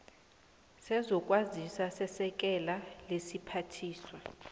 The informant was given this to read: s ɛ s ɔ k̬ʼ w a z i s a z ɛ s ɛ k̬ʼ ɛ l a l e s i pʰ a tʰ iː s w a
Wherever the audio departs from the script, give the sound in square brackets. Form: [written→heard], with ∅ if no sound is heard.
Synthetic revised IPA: s ɛ [s→z] ɔ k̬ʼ w a z i s a [z→s] ɛ s ɛ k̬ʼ ɛ l a l e s i pʰ a tʰ iː s w a